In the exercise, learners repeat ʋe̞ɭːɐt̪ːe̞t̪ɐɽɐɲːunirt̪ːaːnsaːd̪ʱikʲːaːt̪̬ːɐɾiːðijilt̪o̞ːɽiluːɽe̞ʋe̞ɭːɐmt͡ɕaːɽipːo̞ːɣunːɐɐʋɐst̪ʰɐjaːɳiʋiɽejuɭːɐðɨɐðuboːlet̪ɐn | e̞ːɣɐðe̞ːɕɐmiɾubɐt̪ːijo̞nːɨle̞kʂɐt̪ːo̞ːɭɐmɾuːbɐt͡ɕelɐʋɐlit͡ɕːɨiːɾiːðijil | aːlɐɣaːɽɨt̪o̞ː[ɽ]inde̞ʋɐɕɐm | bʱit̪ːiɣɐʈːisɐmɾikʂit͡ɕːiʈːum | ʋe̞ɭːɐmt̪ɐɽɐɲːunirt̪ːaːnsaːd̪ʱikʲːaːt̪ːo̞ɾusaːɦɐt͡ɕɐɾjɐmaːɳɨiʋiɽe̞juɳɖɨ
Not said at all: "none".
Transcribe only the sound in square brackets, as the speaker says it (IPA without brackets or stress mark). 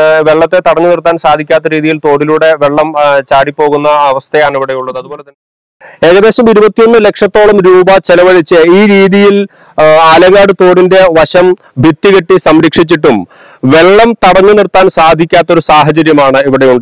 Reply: ɽ